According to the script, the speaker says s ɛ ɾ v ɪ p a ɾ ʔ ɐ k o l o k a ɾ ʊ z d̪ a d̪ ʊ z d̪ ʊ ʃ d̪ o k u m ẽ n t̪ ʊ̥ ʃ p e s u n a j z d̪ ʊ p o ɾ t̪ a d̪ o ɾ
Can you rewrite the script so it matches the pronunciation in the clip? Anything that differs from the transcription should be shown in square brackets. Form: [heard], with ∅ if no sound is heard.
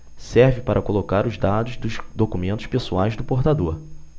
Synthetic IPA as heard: s ɛ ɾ v ɪ p a ɾ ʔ ɐ k o l o k a ɾ ʊ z d̪ a d̪ ʊ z d̪ ʊ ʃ d̪ o k u m ẽ n t̪ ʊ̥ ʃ p e s u [∅] a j z d̪ ʊ p o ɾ t̪ a d̪ o ɾ